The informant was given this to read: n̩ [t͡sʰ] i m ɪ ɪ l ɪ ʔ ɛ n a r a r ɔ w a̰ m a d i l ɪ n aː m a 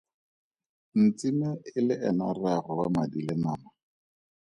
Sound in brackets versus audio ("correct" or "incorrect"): incorrect